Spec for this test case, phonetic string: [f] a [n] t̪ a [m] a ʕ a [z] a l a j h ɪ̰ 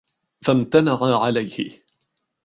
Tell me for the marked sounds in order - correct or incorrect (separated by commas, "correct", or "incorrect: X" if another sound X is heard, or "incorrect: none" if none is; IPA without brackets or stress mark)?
correct, incorrect: m, incorrect: n, incorrect: ʕ